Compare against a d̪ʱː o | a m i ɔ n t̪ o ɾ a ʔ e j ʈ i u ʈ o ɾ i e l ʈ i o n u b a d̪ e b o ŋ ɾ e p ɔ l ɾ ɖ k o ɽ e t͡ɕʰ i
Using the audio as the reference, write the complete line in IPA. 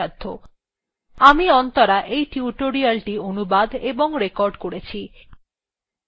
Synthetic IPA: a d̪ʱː o | a m i ɔ n t̪ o ɾ a ʔ e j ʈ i u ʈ o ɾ i a l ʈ i o n u b a d̪ e b o ŋ ɾ e k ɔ ɾ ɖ k o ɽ e t͡ɕʰ i